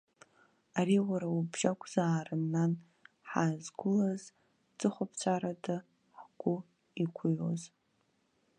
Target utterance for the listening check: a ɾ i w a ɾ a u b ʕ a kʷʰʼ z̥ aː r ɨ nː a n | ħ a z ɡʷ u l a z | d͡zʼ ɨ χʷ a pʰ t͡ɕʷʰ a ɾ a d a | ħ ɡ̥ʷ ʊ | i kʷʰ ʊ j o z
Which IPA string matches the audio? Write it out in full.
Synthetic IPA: a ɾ i w a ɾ a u b ʒ a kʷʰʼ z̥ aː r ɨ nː a n | ħ a z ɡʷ ʊ l a z | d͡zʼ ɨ χʷ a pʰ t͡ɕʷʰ a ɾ a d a | ħ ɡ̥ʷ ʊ | i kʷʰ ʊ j o z